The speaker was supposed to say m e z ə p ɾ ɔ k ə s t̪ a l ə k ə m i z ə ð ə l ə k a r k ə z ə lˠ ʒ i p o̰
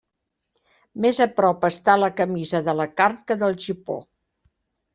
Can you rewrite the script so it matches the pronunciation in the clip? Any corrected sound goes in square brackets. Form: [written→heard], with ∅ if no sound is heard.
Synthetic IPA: m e z ə p ɾ ɔ [k→p] ə s t̪ a l ə k ə m i z ə ð ə l ə k a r k ə [z→ð] ə lˠ ʒ i p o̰

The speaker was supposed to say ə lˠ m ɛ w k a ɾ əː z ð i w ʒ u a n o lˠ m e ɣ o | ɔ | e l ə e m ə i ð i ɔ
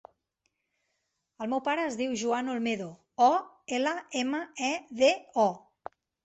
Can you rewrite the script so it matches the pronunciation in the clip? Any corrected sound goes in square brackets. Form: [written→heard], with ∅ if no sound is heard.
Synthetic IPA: ə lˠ m ɛ w [k→p] a ɾ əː z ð i w ʒ u a n o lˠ m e [ɣ→ð] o | ɔ | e l ə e m ə [i→ɛ] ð [i→e] ɔ

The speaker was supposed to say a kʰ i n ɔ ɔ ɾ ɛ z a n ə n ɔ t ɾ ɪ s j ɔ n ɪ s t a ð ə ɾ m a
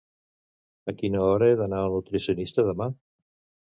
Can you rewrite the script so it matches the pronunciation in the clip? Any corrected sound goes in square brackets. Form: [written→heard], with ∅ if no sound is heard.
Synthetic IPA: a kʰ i n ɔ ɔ ɾ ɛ [z→ð] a n [ə→a] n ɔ t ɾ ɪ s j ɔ n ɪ s t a ð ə [ɾ→∅] m a

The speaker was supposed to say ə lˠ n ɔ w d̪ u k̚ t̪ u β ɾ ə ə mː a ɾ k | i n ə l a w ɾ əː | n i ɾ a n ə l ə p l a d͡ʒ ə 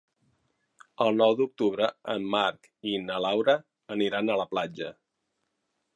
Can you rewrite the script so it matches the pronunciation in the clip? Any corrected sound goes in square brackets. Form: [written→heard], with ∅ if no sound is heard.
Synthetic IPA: ə lˠ n ɔ w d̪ u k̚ t̪ u β ɾ ə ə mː a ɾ k | i n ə l a w ɾ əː | n i ɾ a n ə l ə p l a d͡ʒ ə

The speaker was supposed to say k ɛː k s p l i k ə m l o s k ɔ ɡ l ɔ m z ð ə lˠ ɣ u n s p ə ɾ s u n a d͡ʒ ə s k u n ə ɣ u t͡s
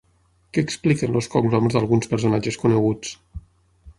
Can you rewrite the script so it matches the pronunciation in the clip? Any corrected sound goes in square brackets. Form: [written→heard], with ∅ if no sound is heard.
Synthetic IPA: k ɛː k s p l i k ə [m→n] l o s k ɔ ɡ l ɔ m z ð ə lˠ ɣ u n s p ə ɾ s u n a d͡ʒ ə s k u n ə ɣ u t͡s

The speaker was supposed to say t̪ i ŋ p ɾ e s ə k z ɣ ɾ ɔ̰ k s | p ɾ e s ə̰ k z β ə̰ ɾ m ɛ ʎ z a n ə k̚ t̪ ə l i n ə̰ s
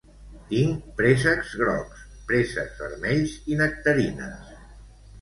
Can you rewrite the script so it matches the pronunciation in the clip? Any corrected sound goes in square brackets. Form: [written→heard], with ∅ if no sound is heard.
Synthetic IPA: t̪ i ŋ p ɾ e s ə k z ɣ ɾ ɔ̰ k s | p ɾ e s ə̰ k z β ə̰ ɾ m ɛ ʎ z [a→i] n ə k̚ t̪ ə [l→ɾ] i n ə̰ s

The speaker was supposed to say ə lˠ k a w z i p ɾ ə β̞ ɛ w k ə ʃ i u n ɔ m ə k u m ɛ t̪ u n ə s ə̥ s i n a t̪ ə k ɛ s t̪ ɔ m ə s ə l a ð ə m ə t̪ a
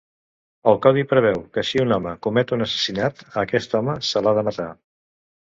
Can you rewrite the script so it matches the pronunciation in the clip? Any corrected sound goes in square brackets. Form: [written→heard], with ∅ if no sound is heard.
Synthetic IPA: ə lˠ k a w [z→ð] i p ɾ ə β̞ ɛ w k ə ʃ i u n ɔ m ə k u m ɛ t̪ u n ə s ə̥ s i n a t̪ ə k ɛ s t̪ ɔ m ə s ə l a ð ə m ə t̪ a

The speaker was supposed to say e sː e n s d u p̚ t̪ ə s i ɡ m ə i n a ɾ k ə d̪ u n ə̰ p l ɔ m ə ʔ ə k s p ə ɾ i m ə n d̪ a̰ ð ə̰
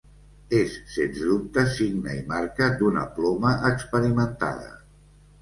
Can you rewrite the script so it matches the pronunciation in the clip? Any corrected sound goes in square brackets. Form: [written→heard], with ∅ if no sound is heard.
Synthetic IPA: e sː e n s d u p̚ t̪ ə s i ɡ [m→n] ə i [n→m] a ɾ k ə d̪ u n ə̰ p l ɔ m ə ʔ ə k s p ə ɾ i m ə n [d̪→t̪] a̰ ð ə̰

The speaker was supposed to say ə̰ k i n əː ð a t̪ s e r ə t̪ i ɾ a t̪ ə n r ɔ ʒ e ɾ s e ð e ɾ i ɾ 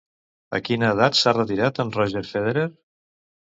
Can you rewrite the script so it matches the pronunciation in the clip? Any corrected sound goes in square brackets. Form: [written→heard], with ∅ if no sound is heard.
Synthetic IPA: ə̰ k i n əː ð a t̪ s [e→a] r ə t̪ i ɾ a t̪ ə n r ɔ ʒ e ɾ [s→f] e ð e ɾ [i→e] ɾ

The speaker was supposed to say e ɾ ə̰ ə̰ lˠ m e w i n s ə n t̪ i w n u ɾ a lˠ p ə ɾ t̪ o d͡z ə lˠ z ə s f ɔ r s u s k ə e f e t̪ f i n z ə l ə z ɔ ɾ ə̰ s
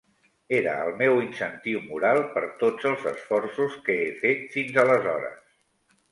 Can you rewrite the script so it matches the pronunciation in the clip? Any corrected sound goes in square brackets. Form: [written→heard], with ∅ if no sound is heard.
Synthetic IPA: e ɾ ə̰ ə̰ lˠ m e w i n s ə n t̪ i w [n→m] u ɾ a lˠ p ə ɾ t̪ o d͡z ə lˠ z ə s f ɔ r s u s k ə e f e t̪ f i n z ə l ə z ɔ ɾ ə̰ s

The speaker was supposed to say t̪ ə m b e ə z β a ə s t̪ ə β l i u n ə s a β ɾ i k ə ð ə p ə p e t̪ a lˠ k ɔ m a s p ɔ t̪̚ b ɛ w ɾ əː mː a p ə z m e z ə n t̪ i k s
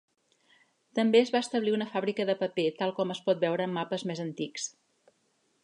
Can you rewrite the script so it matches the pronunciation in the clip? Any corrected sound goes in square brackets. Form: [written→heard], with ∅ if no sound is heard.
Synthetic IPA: t̪ ə m b e ə z β a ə s t̪ ə β l i u n ə [s→f] a β ɾ i k ə ð ə p ə p e t̪ a lˠ k ɔ m [a→ə] s p ɔ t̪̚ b ɛ w ɾ əː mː a p ə z m e z ə n t̪ i k s

